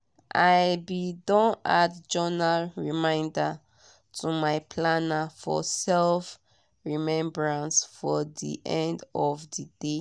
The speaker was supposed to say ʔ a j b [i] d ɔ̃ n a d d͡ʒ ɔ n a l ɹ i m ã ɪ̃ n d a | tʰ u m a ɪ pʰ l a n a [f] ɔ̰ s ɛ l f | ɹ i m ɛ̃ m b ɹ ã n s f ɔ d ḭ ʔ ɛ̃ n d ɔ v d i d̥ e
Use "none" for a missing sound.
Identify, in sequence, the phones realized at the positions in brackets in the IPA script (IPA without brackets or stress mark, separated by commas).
i, f